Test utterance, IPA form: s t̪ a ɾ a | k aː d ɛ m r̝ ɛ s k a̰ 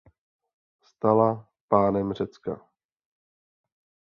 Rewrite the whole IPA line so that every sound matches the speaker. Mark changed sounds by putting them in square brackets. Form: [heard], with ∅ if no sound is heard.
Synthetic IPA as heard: s t̪ a [l] a | [p] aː [n] ɛ m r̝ ɛ [t͡s] k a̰

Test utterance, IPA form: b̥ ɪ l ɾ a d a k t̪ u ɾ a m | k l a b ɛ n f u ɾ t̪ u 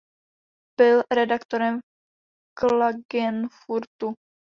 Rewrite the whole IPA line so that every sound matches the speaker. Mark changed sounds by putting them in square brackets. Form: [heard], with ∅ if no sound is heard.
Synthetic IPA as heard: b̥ ɪ l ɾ [ɛ] d a k t̪ [o] ɾ [ɛ] m | k l a [ɡ] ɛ n f u ɾ t̪ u

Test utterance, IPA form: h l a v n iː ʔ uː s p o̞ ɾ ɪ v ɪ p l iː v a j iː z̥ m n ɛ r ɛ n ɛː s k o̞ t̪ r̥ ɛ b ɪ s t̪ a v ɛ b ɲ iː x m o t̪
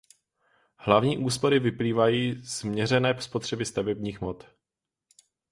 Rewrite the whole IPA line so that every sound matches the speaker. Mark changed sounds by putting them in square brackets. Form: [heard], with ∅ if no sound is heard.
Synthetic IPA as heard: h l a v [ɲ] iː ʔ uː s p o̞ ɾ ɪ v ɪ p l iː v a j iː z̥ m [ɲ] ɛ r ɛ n ɛː s [p] o̞ t̪ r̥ ɛ b ɪ s t̪ a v ɛ b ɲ iː x m o t̪

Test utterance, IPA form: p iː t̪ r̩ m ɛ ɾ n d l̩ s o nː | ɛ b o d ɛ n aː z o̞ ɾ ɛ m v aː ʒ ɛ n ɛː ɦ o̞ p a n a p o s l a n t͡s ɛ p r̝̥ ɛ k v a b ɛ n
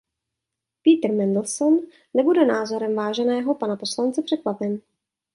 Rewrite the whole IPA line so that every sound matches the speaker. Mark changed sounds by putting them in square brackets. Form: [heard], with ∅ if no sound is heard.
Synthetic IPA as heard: p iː t̪ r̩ m ɛ [∅] n d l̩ s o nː | ɛ b [u] d ɛ n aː z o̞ ɾ ɛ m v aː ʒ ɛ n ɛː ɦ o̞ p a n a p o s l a n t͡s ɛ p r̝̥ ɛ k v a [p] ɛ n

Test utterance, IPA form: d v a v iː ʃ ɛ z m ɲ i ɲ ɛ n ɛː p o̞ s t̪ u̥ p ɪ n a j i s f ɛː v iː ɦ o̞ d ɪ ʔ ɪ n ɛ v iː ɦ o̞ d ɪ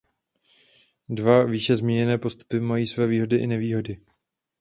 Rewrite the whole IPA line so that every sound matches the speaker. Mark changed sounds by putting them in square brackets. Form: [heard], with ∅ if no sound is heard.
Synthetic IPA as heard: d v a v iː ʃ ɛ z m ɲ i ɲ ɛ n ɛː p o̞ s t̪ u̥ p ɪ [m] a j [iː] s [v] ɛː v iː ɦ o̞ d ɪ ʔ ɪ n ɛ v iː ɦ o̞ d ɪ

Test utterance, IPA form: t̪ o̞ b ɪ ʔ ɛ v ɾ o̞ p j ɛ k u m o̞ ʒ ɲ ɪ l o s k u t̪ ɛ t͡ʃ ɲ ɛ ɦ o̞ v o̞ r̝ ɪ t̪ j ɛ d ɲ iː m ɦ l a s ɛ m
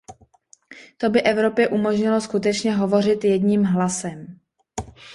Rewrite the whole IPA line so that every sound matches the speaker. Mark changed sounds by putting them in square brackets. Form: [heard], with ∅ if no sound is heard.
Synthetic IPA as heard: t̪ o̞ b ɪ ʔ ɛ v ɾ o̞ p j ɛ [ʔ] u m o̞ ʒ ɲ ɪ l o s k u t̪ ɛ t͡ʃ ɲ ɛ ɦ o̞ v o̞ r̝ ɪ t̪ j ɛ d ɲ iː m ɦ l a s ɛ m

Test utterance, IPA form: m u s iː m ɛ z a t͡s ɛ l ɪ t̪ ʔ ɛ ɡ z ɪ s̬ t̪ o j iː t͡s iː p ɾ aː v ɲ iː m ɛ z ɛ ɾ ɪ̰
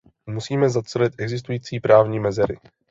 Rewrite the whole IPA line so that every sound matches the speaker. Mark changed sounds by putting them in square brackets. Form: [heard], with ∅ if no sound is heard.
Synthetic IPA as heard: m u s iː m ɛ z a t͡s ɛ l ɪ t̪ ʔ ɛ ɡ z ɪ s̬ t̪ [u] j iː t͡s iː p ɾ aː v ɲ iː m ɛ z ɛ ɾ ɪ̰

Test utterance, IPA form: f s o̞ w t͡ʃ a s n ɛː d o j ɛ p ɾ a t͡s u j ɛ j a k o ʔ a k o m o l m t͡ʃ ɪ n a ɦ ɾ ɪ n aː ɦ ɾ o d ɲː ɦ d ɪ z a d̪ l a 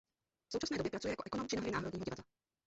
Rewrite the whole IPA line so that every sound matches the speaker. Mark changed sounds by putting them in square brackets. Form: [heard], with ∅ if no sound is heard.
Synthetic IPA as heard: f s o̞ w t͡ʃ a s n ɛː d o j ɛ p ɾ a t͡s u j ɛ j a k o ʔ [ɛ] k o [n] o [∅] m t͡ʃ ɪ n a ɦ ɾ ɪ n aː ɦ ɾ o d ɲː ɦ [ɟ] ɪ [v] a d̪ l a

